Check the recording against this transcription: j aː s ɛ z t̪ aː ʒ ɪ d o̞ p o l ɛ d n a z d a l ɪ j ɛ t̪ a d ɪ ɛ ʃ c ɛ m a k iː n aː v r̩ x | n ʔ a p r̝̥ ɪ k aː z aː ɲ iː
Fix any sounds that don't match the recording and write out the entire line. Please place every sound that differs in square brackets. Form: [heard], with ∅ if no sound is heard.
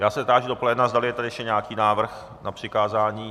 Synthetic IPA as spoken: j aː s ɛ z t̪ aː ʒ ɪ d o̞ p o l ɛ d n a z d a l ɪ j ɛ t̪ a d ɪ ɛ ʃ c ɛ [ɲ] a k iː n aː v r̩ x | n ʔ a p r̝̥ ɪ k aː z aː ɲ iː